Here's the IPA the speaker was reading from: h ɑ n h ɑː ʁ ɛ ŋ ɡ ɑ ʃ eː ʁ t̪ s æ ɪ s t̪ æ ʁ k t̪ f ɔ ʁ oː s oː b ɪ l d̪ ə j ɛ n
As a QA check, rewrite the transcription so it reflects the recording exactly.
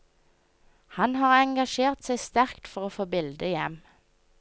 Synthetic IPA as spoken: h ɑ n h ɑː ʁ ɛ ŋ ɡ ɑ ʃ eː ʁ t̪ s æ ɪ s t̪ æ ʁ k t̪ f ɔ ʁ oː f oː b ɪ l d̪ ə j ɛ m